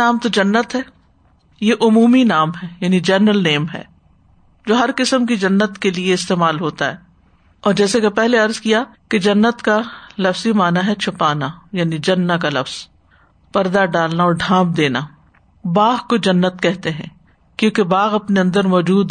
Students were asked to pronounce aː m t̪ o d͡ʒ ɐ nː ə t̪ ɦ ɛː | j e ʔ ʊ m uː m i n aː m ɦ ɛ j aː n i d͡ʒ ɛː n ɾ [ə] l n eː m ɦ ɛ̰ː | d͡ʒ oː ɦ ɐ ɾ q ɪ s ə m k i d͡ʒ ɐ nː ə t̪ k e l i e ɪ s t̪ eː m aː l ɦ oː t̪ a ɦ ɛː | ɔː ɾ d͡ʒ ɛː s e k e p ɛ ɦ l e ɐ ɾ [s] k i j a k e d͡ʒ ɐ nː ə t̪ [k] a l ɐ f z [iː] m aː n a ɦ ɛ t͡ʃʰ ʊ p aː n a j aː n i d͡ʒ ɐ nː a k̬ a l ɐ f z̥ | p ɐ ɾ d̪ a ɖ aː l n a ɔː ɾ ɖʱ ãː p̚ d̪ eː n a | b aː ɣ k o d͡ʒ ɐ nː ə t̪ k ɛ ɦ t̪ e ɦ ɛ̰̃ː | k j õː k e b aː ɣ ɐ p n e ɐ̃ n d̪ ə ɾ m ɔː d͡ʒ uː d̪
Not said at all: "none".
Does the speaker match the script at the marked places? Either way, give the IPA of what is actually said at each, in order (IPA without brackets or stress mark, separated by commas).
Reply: ə, z, k, i